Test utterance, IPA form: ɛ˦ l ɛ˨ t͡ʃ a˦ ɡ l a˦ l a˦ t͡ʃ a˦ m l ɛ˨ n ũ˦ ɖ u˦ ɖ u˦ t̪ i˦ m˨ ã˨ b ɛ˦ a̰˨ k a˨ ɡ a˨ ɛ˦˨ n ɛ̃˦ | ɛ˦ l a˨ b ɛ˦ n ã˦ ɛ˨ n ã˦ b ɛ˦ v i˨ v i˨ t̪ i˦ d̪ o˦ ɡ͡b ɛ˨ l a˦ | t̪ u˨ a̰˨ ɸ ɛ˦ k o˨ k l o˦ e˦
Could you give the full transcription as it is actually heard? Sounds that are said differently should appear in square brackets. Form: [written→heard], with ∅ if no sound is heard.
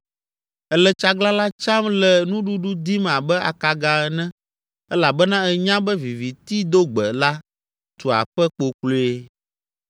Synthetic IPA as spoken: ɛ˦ l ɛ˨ t͡ʃ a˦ ɡ l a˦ l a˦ t͡ʃ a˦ m l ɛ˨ n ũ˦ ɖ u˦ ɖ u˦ [t̪→d̪] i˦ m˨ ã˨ b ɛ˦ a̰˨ k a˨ ɡ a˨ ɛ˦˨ n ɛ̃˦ | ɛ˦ l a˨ b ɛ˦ n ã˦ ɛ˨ [n→ɲ] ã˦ b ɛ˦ v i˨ v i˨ t̪ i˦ d̪ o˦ ɡ͡b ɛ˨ l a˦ | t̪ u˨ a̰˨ ɸ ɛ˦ [k→k͡p] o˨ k l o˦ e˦